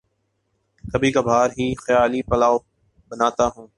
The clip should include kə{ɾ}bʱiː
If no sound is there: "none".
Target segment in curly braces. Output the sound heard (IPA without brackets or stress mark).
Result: none